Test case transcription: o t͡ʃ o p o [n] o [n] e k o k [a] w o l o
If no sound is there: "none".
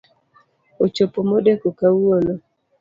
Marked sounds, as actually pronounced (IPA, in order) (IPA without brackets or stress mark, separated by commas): m, d, a